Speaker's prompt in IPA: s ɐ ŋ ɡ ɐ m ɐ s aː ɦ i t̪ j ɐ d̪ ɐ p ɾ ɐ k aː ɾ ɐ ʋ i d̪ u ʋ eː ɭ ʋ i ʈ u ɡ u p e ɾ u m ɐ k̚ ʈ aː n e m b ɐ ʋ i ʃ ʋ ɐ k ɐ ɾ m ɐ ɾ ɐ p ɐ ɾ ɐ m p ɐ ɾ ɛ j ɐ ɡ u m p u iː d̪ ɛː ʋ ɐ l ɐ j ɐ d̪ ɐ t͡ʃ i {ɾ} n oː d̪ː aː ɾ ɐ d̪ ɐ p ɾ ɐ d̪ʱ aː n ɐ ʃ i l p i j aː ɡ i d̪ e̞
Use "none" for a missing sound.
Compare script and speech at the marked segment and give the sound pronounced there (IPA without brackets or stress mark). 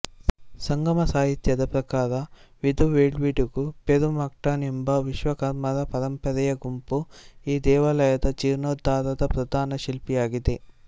ɾ